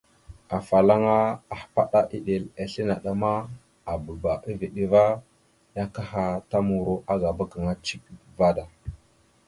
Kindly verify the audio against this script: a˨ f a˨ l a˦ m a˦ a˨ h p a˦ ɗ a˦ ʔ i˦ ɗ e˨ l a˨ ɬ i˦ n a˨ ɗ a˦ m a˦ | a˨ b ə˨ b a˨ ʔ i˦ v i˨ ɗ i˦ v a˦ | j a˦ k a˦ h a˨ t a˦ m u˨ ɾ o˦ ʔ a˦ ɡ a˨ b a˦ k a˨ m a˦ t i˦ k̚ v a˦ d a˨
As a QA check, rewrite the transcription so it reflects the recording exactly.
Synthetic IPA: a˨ f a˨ l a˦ ŋ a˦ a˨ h p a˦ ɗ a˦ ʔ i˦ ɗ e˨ l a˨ ɬ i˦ n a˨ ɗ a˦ m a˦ | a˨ b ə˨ b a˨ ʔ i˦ v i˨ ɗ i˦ v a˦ | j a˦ k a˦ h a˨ t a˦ m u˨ ɾ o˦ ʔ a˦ ɡ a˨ b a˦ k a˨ ŋ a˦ t͡ʃ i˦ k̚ v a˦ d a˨